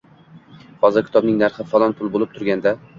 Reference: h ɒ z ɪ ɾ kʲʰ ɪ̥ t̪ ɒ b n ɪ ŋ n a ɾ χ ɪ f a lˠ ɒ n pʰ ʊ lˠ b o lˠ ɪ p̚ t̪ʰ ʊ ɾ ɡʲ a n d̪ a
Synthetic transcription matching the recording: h ɒ z ɪ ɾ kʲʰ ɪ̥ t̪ ɒ b n ɪ ŋ n a ɾ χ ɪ f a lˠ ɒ n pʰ ʊ lˠ b o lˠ ɪ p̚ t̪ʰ ʊ ɾ ɡʲ a n d̪ a

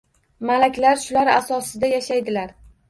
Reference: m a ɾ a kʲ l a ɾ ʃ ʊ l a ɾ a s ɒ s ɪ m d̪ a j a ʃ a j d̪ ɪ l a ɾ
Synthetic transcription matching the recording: m a l a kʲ l a ɾ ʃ ʊ l a ɾ a s ɒ s ɪ d̪ a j a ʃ a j d̪ ɪ l a ɾ

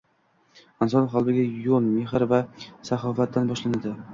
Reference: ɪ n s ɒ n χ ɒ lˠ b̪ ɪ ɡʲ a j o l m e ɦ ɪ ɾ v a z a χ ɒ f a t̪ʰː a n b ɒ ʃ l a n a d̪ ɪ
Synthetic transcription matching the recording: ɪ n s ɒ n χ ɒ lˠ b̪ ɪ ɡʲ a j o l m e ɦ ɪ ɾ v a s a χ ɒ f a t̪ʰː a n b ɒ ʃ l a n a d̪ ɪ

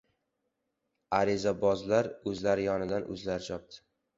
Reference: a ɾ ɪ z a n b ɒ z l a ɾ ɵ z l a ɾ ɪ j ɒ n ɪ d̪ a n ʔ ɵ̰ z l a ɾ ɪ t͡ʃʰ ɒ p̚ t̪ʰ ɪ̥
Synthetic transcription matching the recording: a ɾ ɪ z a b ɒ z l a ɾ ɵ z l a ɾ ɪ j ɒ n ɪ d̪ a n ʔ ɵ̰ z l a ɾ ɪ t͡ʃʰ ɒ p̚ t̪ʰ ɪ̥

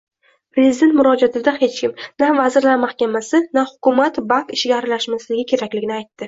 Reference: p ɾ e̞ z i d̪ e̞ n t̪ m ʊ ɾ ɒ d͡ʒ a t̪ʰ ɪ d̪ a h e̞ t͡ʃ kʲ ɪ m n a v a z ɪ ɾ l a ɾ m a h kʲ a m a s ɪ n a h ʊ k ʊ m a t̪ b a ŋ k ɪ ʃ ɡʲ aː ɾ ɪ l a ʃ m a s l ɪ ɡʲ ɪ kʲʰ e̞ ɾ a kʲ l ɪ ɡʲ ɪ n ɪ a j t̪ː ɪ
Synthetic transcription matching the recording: p ɾ e̞ z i d̪ e̞ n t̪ m ʊ ɾ ɒ d͡ʒ a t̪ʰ ɪ d̪ a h e̞ t͡ʃ kʲ ɪ m n a v a z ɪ ɾ l a ɾ m a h kʲ a m a s ɪ n a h ʊ k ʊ m a t̪ b a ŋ k ɪ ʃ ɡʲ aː ɾ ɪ l a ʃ m a s l ɪ ɡʲ ɪ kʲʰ e̞ ɾ a kʲ l ɪ ɡʲ ɪ n ɪ a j t̪ː ɪ

